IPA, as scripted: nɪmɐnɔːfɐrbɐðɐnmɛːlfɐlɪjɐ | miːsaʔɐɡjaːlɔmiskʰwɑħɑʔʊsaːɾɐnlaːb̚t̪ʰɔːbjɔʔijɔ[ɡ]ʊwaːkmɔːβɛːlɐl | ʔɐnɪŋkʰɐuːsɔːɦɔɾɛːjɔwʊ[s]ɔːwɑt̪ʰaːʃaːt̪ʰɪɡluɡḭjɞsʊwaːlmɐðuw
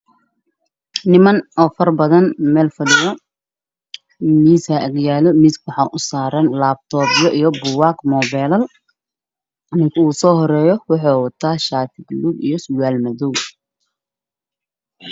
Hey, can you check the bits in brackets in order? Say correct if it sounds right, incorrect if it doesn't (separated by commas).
incorrect, incorrect